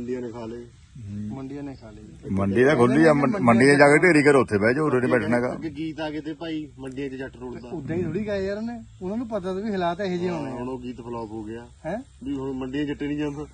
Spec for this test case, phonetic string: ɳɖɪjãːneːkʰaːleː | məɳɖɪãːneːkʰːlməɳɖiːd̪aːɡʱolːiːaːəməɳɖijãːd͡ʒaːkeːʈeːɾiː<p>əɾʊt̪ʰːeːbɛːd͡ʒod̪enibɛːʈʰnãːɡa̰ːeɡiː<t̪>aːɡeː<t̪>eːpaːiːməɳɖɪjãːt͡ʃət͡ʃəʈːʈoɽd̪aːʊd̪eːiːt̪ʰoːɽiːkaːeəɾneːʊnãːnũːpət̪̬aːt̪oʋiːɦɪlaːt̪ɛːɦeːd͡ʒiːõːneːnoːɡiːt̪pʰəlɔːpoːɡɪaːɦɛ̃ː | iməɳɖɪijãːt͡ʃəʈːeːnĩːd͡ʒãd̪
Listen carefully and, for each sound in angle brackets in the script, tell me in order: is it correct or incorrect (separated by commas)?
incorrect, correct, correct